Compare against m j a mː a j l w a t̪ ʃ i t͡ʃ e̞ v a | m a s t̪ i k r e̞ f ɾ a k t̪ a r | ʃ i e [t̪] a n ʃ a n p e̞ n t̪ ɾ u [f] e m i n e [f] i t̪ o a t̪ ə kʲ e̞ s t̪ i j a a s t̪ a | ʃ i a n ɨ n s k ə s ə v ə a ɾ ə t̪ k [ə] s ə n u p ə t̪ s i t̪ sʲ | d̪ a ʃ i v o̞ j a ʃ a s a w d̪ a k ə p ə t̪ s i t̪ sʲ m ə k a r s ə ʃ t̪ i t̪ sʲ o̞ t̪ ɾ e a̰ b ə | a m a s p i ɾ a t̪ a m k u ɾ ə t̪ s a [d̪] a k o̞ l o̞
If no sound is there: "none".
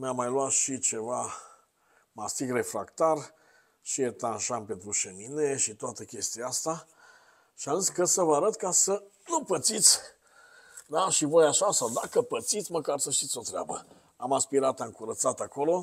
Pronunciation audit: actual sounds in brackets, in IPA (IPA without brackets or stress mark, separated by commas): t̪, ʃ, ʃ, a, t̪